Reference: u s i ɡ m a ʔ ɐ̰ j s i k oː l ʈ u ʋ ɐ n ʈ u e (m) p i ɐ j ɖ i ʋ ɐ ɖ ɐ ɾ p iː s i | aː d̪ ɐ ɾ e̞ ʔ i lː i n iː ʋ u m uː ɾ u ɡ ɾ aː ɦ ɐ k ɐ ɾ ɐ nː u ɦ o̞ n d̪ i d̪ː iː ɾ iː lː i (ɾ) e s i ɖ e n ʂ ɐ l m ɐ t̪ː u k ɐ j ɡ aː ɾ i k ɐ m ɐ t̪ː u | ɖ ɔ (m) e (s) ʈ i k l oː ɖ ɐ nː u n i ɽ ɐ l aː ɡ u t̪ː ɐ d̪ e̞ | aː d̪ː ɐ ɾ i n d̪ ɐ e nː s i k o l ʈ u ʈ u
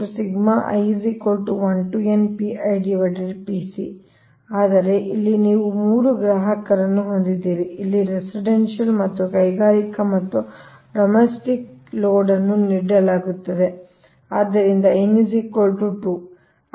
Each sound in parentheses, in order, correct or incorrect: incorrect, correct, correct, correct

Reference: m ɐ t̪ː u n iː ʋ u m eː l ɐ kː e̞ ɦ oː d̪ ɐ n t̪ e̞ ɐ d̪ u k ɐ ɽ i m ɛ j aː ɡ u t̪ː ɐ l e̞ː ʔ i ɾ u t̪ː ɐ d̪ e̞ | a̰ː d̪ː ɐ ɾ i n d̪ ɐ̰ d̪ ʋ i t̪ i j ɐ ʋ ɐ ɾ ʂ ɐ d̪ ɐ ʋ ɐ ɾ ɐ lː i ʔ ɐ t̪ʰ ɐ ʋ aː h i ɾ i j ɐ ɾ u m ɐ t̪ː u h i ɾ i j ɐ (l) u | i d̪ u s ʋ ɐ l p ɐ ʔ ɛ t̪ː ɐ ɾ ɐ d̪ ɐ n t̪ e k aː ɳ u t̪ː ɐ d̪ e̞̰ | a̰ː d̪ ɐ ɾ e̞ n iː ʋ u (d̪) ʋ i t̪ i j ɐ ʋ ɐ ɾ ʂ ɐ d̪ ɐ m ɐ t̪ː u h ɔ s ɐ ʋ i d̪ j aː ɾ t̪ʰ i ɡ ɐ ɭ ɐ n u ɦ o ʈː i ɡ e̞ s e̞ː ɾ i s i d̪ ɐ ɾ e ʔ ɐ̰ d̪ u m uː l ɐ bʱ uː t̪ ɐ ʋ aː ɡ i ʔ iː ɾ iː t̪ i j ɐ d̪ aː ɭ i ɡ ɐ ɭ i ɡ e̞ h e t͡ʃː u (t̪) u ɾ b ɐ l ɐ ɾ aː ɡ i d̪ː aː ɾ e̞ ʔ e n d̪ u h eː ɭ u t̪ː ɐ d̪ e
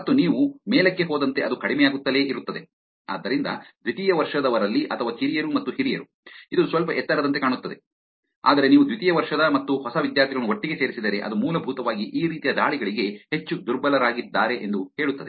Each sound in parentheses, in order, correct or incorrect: incorrect, correct, incorrect

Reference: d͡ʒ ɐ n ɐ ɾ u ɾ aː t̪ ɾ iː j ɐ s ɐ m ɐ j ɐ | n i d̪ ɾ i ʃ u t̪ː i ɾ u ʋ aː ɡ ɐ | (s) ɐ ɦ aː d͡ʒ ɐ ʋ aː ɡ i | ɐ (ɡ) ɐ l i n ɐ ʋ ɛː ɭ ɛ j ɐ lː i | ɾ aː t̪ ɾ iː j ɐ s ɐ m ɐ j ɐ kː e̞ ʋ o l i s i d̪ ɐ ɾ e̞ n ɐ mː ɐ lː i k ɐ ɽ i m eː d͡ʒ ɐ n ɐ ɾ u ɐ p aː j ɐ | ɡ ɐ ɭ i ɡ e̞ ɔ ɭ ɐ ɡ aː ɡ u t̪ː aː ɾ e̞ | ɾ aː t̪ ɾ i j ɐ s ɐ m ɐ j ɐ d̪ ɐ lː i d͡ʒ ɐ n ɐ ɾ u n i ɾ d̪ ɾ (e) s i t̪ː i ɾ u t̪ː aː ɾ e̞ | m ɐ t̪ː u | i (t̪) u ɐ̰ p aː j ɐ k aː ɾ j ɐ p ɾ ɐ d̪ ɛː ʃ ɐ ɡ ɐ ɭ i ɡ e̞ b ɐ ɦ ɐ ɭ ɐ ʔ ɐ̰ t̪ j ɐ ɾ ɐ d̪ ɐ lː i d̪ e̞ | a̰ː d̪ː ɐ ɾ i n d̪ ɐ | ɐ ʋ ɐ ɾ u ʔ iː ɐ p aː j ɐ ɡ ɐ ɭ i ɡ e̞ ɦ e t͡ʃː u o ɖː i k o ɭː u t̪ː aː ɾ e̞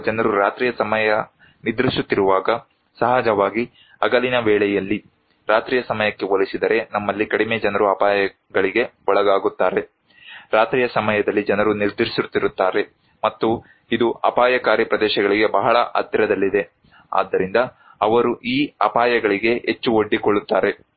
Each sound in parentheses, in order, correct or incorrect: correct, correct, incorrect, incorrect

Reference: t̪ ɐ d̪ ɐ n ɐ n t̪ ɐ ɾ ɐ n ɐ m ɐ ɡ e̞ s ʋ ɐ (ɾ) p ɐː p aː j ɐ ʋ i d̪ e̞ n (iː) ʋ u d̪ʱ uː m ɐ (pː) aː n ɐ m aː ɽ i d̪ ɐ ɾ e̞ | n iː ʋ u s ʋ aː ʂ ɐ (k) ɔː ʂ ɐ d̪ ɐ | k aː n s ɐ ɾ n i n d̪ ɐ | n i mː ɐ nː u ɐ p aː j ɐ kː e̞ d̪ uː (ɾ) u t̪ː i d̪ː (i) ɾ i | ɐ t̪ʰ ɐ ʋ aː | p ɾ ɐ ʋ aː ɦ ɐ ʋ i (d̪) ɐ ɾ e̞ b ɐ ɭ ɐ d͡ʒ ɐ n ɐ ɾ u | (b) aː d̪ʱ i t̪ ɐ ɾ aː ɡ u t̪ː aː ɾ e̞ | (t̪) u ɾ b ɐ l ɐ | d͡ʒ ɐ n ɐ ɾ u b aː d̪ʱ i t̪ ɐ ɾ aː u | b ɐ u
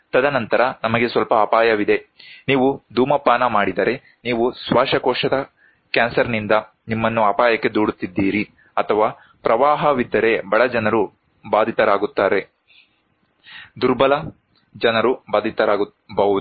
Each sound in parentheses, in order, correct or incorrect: incorrect, correct, correct, correct, incorrect, incorrect, incorrect, correct, incorrect

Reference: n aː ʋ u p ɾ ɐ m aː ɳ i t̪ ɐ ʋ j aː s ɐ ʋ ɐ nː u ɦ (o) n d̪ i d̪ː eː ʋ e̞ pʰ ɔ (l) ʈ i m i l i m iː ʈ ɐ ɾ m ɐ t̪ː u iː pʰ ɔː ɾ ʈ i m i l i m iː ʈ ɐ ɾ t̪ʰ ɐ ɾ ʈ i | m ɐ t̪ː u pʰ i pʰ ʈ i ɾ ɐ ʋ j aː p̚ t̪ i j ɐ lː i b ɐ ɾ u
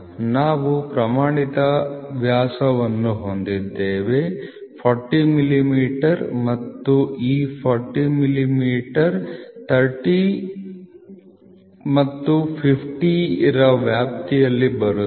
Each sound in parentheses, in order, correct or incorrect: correct, incorrect

